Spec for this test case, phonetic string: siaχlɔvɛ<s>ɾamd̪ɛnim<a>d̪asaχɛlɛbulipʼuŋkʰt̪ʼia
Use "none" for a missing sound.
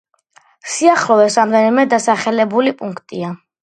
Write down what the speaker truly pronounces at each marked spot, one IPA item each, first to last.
s, ɛ

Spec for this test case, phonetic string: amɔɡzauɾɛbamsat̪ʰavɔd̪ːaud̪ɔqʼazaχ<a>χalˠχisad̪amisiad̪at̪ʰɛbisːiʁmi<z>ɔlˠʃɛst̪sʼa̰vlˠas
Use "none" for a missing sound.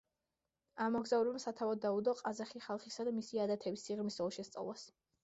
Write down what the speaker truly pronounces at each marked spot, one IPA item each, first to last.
i, s

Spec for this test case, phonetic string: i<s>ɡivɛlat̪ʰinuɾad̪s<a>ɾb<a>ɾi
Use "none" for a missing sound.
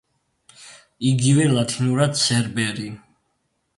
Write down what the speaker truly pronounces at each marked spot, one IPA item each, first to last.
none, ɛ, ɛ

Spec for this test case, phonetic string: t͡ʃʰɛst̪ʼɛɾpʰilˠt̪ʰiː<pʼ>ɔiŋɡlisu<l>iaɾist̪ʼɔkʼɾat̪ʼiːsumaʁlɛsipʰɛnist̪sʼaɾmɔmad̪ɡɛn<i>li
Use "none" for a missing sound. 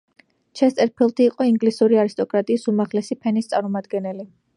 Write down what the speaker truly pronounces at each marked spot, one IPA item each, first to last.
qʼ, ɾ, ɛ

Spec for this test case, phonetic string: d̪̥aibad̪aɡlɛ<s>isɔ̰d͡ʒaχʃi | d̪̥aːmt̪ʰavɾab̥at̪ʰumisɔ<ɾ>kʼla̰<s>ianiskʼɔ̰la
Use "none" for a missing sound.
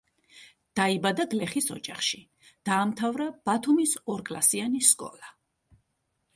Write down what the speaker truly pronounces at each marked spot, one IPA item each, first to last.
χ, ɾ, s

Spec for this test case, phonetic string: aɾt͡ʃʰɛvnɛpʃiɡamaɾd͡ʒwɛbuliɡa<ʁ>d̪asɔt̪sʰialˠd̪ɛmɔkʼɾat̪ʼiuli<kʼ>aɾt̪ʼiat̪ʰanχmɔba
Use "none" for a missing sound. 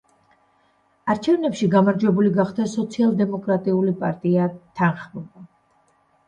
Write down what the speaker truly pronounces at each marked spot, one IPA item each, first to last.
χ, pʼ

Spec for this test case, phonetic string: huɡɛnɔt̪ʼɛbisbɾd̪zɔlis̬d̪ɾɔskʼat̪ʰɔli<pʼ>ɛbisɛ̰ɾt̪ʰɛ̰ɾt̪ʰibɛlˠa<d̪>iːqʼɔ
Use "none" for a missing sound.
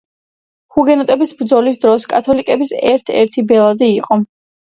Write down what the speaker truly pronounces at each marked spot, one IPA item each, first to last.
kʼ, d̪

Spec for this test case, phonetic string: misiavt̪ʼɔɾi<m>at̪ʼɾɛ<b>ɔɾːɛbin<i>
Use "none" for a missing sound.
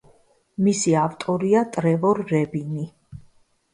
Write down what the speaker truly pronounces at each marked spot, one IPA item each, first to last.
none, v, i

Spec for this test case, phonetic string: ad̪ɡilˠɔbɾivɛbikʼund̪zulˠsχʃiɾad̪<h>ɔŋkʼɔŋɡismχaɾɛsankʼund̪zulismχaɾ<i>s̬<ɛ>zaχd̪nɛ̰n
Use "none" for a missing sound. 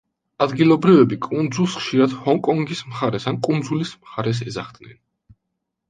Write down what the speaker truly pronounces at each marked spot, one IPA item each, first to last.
h, ɛ, ɛ

